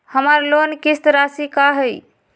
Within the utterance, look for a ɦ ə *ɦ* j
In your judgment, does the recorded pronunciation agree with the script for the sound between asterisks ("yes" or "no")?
no